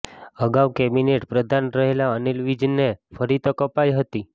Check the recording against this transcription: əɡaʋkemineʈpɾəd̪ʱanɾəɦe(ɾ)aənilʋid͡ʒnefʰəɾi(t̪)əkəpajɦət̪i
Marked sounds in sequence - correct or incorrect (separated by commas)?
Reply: incorrect, correct